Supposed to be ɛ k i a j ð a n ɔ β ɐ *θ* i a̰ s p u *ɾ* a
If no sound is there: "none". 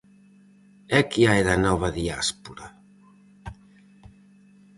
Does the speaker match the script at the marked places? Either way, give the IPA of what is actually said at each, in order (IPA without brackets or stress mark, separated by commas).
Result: ð, ɾ